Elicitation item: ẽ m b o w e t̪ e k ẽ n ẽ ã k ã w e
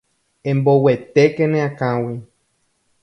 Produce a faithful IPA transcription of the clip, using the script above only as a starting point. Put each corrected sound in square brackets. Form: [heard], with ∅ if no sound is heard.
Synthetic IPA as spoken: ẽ m b o w e t̪ e k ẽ n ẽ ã k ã w [i]